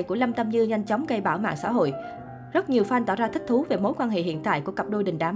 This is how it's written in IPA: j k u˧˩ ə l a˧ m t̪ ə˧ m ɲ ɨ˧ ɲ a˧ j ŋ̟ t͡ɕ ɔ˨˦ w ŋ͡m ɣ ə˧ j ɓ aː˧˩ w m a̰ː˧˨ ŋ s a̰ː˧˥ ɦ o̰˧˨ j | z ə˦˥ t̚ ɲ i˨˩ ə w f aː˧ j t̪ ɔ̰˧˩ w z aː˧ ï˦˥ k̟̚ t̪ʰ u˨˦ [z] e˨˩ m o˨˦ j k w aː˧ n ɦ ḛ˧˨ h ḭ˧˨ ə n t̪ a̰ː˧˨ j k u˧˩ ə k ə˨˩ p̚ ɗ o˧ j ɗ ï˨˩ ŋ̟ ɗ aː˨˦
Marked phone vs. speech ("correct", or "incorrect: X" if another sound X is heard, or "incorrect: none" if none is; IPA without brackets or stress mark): incorrect: v